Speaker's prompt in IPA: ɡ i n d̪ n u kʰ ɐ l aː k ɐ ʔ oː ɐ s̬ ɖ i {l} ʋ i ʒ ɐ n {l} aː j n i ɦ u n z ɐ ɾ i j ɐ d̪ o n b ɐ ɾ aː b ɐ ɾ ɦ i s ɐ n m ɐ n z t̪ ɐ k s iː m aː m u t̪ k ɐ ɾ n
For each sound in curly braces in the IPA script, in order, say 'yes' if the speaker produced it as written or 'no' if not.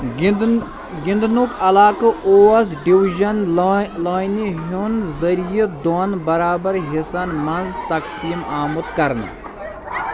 no, yes

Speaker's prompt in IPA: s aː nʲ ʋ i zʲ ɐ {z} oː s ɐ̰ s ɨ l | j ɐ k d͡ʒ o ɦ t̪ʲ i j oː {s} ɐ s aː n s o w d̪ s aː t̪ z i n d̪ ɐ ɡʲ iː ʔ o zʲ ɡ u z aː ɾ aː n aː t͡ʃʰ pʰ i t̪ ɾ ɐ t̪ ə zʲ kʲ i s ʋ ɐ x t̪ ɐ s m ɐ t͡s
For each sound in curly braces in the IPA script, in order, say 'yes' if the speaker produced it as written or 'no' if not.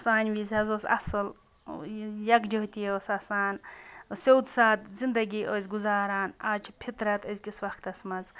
yes, yes

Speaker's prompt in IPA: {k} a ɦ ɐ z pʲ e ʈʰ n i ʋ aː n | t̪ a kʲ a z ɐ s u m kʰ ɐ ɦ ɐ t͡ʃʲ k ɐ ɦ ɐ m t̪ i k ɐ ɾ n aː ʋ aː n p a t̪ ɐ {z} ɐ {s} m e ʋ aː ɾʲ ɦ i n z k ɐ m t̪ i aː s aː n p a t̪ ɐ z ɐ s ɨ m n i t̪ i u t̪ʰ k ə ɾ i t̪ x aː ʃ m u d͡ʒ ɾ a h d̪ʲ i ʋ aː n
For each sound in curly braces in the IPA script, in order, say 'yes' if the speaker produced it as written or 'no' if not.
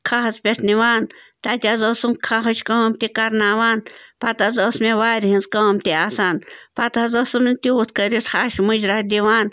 no, yes, yes

